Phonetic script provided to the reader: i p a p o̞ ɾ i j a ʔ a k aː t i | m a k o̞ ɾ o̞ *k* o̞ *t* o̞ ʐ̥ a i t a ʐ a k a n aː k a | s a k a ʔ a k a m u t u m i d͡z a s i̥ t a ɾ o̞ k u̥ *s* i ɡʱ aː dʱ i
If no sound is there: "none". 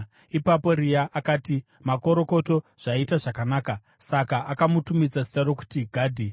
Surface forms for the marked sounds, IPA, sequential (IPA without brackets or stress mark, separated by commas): k, t, t